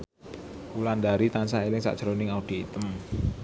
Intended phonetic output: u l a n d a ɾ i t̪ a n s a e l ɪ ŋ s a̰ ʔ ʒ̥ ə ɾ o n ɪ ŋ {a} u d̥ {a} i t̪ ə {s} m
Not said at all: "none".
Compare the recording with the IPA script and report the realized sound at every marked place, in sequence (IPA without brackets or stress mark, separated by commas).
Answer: a, i, none